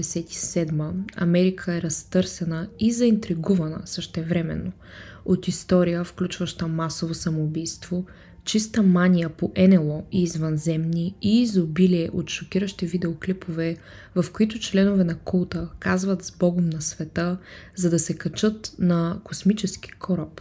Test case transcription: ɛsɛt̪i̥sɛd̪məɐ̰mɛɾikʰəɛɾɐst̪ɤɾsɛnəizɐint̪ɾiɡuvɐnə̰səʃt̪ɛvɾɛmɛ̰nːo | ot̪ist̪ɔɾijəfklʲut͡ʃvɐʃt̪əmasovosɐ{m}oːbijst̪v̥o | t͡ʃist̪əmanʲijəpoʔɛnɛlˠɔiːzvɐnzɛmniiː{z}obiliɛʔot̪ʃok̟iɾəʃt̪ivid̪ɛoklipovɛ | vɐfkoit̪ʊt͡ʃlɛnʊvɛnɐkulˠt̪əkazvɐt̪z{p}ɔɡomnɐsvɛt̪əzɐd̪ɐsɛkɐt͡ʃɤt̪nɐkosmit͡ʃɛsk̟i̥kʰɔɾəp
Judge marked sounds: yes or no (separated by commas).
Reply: yes, yes, no